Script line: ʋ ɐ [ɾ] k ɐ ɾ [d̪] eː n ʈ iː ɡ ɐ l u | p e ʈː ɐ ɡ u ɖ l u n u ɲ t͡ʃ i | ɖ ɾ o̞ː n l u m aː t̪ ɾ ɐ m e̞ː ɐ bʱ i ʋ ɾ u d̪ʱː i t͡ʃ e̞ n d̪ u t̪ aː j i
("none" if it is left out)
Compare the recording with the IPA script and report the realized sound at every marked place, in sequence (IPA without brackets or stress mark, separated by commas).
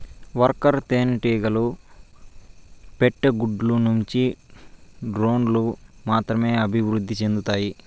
ɾ, t̪